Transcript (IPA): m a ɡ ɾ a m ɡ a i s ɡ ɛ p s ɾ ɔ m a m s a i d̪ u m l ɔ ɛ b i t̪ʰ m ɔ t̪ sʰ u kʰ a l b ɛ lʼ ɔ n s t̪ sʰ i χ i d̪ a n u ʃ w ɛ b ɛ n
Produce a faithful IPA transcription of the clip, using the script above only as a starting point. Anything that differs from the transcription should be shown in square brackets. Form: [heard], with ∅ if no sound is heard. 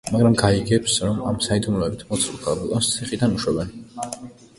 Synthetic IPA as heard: m a ɡ ɾ a m ɡ a i [∅] ɡ ɛ p s ɾ ɔ m a m s a i d̪ u m l ɔ ɛ b i t̪ʰ m ɔ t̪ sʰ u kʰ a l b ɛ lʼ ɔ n s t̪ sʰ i χ i d̪ a n u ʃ w ɛ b ɛ n